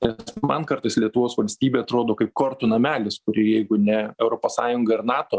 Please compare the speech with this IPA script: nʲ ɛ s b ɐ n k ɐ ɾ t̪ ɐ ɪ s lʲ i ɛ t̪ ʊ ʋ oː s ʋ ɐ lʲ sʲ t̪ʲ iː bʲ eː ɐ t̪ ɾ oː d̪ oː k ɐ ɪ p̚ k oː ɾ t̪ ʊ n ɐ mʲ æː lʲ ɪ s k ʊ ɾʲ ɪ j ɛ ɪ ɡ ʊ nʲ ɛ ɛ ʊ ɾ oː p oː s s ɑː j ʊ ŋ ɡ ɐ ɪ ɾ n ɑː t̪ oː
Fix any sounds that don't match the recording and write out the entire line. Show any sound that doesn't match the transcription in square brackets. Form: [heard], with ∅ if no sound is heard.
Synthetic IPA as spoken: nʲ ɛ s [m] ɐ n k ɐ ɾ t̪ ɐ ɪ s lʲ i ɛ t̪ ʊ ʋ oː s ʋ ɐ lʲ sʲ t̪ʲ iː bʲ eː ɐ t̪ ɾ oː d̪ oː k ɐ ɪ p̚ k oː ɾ t̪ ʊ n ɐ mʲ æː lʲ ɪ s k ʊ ɾʲ ɪ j ɛ ɪ ɡ ʊ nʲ ɛ ɛ ʊ ɾ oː p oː s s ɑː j ʊ ŋ ɡ ɐ ɪ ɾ n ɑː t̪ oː